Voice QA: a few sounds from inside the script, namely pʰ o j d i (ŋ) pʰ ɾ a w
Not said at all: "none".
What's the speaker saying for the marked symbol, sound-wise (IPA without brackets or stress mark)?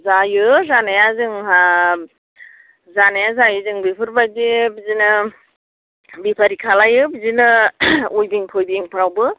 ŋ